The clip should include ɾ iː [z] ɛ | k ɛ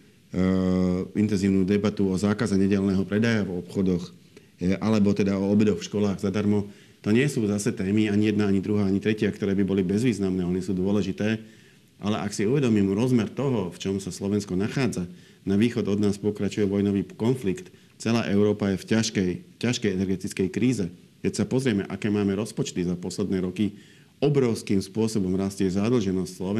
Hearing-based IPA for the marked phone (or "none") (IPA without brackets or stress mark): z